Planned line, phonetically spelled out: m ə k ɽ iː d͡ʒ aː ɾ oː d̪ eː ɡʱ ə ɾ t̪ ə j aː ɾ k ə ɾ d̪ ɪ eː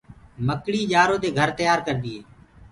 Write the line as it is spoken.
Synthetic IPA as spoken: m ə k ɽ iː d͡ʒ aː ɾ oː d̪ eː ɡʱ ə ɾ t̪ ə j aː ɾ k ə ɾ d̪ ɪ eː